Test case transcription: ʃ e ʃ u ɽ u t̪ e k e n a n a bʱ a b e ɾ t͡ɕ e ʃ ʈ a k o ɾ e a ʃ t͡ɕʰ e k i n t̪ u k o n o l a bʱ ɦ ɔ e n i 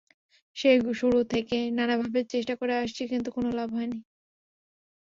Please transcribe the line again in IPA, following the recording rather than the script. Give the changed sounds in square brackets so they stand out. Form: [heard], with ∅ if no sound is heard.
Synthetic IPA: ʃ e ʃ u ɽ u [t̪ʰ] e k e n a n a bʱ a b e ɾ t͡ɕ e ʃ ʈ a k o ɾ e a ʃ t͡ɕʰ [i] k i n t̪ u k o n o l a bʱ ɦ ɔ e n i